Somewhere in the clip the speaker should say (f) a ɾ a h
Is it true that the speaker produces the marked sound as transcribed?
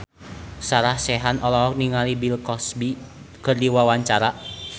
no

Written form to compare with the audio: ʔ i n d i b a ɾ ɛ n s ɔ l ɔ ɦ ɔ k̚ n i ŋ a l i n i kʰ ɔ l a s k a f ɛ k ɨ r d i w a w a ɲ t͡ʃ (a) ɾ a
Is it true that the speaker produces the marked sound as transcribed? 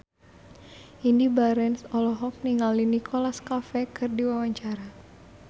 yes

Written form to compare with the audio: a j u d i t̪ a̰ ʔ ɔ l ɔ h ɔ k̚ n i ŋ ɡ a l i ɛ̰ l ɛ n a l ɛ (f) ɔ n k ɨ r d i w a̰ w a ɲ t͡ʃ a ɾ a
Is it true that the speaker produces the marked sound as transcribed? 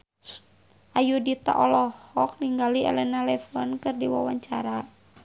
yes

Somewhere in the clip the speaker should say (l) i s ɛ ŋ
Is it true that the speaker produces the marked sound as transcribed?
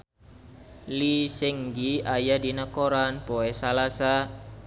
yes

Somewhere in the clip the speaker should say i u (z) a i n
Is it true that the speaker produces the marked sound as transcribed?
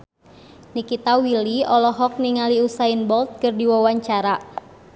no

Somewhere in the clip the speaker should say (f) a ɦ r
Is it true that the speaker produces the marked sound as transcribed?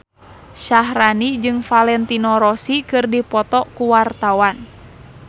no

